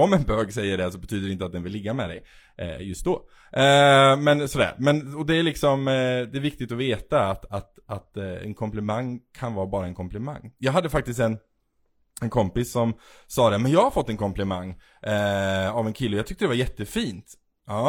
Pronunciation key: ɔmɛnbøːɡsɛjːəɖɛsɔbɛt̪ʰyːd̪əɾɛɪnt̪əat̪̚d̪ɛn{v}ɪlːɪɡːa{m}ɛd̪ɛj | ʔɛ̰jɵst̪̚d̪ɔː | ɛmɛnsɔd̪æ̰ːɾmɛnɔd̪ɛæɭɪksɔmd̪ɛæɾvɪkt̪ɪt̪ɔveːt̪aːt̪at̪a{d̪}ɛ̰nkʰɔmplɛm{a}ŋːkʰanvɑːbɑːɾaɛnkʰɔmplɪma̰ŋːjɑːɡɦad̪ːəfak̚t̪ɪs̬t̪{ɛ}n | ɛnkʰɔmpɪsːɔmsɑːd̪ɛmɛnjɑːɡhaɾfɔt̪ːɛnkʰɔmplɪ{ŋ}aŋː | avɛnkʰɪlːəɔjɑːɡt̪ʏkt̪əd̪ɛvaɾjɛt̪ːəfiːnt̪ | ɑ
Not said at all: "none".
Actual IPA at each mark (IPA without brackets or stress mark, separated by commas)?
v, m, t̪, a, ɛ, m